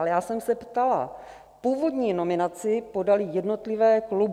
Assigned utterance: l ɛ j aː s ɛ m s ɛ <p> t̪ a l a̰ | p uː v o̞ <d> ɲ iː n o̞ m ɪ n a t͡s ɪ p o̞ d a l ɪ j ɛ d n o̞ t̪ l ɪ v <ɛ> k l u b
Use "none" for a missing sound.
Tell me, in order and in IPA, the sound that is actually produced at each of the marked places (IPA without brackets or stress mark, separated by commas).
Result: p, d, ɛː